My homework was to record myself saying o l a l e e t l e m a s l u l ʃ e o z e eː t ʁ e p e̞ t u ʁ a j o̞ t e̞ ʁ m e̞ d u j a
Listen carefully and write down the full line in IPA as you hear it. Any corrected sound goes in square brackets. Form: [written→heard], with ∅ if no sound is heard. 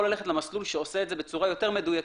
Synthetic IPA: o l a l e e t l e m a s l u l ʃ e o [z→s] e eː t [ʁ→z] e [p→b] e̞ [t→t͡s] u ʁ a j o̞ t e̞ ʁ m e̞ d u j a